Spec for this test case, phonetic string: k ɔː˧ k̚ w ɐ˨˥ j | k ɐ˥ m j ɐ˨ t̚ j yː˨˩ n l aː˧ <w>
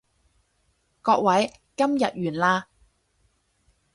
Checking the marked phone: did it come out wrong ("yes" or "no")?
yes